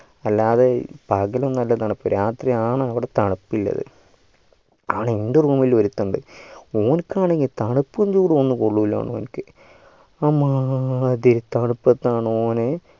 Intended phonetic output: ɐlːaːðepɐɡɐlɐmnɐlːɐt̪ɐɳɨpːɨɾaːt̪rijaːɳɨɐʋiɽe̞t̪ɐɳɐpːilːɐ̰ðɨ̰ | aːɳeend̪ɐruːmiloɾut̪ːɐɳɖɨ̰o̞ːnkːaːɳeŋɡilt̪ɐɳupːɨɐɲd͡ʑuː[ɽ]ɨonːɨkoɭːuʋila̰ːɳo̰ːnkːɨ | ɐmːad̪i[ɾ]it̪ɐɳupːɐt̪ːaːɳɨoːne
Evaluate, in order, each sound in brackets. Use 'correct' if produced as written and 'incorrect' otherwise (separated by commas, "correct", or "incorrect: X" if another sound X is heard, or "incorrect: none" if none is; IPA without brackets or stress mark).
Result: correct, correct